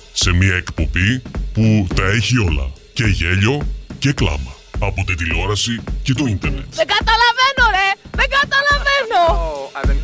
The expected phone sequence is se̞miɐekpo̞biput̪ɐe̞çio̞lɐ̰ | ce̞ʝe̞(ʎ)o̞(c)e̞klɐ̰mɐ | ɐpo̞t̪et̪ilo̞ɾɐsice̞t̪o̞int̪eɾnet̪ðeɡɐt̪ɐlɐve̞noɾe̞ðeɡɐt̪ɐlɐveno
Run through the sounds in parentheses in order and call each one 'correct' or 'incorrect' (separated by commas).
correct, correct